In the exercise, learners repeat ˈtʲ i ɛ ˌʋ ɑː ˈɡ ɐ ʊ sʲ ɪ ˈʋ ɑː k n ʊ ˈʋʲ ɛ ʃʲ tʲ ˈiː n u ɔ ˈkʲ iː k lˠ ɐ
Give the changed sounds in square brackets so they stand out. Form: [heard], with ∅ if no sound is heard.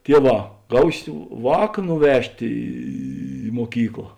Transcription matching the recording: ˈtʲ i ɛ ˌʋ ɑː ˈɡ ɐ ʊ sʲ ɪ ˈʋ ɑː k n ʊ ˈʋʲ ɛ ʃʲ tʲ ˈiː [m] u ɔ ˈkʲ iː k lˠ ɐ